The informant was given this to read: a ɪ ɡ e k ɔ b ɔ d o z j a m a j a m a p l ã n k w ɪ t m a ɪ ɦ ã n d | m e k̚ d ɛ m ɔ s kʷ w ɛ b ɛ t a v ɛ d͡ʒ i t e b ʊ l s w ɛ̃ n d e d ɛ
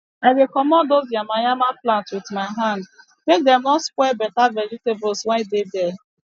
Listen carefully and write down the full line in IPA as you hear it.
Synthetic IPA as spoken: a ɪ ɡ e k ɔ m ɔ d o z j a m a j a m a p l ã n t w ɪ t m a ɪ ɦ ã n d | m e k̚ d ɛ m ɔ s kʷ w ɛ b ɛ t a v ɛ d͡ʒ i t e b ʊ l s w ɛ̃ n d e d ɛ

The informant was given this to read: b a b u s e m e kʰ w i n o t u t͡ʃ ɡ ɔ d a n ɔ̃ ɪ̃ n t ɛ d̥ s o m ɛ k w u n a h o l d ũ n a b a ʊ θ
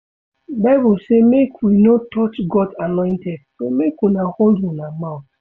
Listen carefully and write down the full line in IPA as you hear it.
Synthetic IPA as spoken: b a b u s e m e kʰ w i n o t ɔ t͡ʃ ɡ ɔ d a n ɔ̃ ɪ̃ n t ɛ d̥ s o m e k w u n a h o l d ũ n a m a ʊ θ

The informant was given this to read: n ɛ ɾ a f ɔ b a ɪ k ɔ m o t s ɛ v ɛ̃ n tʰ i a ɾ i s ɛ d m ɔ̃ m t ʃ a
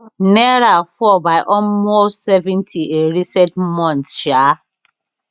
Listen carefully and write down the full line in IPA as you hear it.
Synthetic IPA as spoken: n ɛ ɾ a f ɔ b a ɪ ʔ ɔ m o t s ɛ v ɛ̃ n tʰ i e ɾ i s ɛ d m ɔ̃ n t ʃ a

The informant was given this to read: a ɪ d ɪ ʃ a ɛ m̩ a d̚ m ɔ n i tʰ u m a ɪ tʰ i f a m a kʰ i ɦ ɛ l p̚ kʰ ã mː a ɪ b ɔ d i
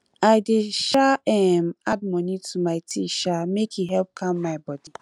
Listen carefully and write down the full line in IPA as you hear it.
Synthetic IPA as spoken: a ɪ d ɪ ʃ a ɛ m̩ a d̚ m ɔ n i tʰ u m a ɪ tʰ i ʃ a m e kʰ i ɦ ɛ l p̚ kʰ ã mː a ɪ b ɔ d i

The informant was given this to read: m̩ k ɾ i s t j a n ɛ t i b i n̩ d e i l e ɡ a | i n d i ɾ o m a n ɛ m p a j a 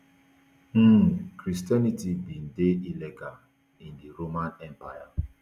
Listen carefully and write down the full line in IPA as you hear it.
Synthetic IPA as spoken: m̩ k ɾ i s t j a n i t i b i n̩ d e i l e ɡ a | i n d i ɾ o m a n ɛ m p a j a

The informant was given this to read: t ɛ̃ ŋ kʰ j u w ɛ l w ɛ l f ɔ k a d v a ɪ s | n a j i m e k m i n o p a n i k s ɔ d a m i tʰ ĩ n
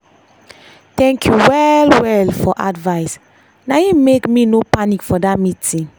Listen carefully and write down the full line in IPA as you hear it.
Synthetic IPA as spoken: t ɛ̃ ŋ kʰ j u w ɛ l w ɛ l f ɔ ʔ a d v a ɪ s | n a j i m e k m i n o p a n i k f ɔ d a m i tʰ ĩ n

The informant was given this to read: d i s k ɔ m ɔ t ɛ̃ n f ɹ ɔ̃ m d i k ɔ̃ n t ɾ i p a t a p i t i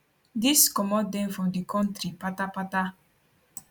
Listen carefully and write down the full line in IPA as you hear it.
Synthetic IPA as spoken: d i s k ɔ m ɔ d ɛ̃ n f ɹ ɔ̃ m d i k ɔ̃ n t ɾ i p a t a p a t a

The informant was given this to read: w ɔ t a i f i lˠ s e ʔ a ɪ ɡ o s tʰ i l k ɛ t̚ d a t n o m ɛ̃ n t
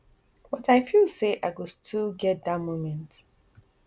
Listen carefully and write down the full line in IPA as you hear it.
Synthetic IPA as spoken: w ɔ t a ɪ f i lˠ s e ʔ a ɪ ɡ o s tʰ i l ɡ ɛ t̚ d a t m o m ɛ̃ n t

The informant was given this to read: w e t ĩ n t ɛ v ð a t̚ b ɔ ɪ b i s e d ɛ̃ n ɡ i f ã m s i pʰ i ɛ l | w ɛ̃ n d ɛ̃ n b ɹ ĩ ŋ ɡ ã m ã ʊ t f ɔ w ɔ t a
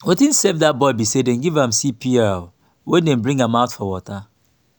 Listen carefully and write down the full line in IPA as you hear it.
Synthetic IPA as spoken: w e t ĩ n s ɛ v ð a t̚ b ɔ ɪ b i s e d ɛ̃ n ɡ i v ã m s i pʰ i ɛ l | w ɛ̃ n d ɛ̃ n b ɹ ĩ ŋ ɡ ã m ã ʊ t f ɔ w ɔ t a

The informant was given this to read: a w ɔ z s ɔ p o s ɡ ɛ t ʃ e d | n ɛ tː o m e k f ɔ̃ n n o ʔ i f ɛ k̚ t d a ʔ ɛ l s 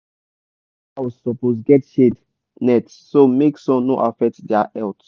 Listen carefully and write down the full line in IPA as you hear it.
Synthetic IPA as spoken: a w ɔ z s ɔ p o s ɡ ɛ t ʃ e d | n ɛ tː o m e k s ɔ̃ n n o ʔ a f ɛ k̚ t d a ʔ ɛ l t

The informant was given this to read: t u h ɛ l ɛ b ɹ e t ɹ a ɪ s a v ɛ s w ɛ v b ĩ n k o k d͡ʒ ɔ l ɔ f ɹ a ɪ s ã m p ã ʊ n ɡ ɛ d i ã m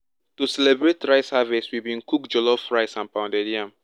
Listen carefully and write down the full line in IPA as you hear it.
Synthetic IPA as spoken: t u s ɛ l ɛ b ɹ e t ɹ a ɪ s a v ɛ s w i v b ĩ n k u k d͡ʒ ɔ l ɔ f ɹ a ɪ s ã n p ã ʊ n d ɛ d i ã m

